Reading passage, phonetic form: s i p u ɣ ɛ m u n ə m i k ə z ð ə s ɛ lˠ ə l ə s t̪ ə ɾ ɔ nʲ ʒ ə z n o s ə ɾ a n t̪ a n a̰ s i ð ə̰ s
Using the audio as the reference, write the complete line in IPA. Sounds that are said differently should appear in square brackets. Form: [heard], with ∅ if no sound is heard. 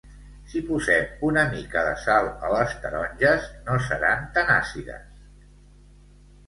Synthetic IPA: s i p u [z] ɛ m u n ə m i k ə [∅] ð ə s [a] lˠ ə l ə s t̪ ə ɾ ɔ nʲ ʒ ə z n o s ə ɾ a n t̪ a n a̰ s i ð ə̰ s

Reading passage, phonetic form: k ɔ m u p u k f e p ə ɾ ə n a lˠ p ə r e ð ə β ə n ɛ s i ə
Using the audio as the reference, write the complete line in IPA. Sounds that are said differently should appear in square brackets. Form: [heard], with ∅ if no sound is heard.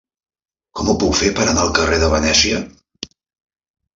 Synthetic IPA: k ɔ m u p u k f e p ə ɾ ə n a lˠ [k] ə r e ð ə β ə n ɛ s i ə

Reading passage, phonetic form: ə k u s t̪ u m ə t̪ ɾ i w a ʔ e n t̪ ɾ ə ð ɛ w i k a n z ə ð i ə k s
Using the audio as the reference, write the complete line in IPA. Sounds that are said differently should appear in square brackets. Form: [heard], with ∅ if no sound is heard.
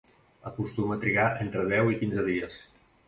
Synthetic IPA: ə k u s t̪ u m ə t̪ ɾ i [ɣ] a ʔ e n t̪ ɾ ə ð ɛ w i k [i] n z ə ð i ə [∅] s

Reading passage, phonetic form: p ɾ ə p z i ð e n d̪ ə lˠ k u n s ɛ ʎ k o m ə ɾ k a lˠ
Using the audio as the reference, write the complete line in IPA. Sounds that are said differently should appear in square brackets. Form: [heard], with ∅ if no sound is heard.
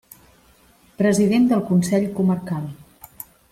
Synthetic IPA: p ɾ ə [∅] z i ð e n d̪ ə lˠ k u n s ɛ ʎ k [u] m ə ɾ k a lˠ

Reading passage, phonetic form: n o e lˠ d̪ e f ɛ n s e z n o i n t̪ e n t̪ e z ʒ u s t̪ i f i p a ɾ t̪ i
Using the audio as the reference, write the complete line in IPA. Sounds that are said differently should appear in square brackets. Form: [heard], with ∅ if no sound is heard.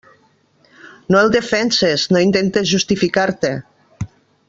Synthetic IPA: n o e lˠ d̪ e f ɛ n s e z n o i n t̪ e n t̪ e z ʒ u s t̪ i f i [k] a ɾ t̪ [e]

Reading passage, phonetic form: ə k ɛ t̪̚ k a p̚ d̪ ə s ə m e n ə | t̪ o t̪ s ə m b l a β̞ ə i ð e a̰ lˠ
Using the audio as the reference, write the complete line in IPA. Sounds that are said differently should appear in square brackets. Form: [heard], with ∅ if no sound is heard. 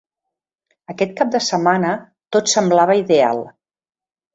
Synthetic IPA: ə k ɛ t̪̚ k a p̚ d̪ ə s ə m [a] n ə | t̪ o t̪ s ə m b l a β̞ ə i ð e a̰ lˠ

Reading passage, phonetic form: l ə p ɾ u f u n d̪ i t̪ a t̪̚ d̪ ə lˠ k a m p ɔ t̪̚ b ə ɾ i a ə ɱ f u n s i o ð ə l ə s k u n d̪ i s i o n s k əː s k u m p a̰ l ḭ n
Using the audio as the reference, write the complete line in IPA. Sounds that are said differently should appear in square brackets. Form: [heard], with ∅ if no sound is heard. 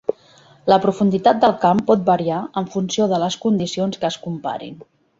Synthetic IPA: l ə p ɾ u f u n d̪ i t̪ a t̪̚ d̪ ə lˠ k a m p ɔ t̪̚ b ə ɾ i a ə ɱ f u n s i o ð ə l ə s k u n d̪ i s i o n s k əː s k u m p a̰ [ɾ] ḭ n

